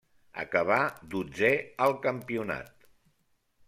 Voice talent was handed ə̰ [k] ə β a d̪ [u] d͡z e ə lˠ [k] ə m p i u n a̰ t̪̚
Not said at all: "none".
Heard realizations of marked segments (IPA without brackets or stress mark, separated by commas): k, u, k